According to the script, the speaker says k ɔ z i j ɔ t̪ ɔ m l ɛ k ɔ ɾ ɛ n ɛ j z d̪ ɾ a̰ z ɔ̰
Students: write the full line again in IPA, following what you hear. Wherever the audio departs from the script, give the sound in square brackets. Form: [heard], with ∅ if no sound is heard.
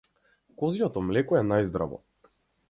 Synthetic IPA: k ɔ z i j ɔ t̪ ɔ m l ɛ k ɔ [∅] ɛ n [a] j z d̪ ɾ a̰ [v] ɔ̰